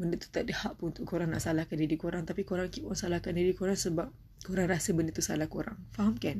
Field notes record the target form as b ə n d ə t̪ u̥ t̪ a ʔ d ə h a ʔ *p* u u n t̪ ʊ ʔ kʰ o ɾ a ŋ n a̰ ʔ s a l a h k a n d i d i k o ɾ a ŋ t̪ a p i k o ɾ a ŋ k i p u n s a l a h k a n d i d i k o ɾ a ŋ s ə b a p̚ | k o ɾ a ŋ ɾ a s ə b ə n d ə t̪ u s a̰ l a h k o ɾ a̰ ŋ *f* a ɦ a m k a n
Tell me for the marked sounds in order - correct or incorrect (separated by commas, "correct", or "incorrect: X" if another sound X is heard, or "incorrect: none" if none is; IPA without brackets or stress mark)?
correct, correct